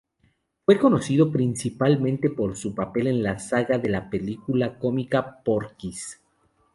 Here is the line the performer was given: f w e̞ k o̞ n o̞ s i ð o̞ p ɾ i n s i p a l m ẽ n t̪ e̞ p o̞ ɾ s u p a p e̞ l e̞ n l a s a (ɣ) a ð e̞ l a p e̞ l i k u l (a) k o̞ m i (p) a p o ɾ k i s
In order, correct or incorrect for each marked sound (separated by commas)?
correct, correct, incorrect